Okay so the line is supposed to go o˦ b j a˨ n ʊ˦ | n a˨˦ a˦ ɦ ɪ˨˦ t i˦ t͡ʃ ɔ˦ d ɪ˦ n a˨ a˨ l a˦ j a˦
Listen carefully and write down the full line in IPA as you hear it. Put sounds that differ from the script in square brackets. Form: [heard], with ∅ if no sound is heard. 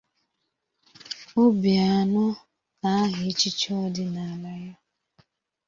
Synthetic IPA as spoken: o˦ b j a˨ n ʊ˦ | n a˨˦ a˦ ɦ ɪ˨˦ [t͡ʃ] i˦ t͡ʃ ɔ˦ d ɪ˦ n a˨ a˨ l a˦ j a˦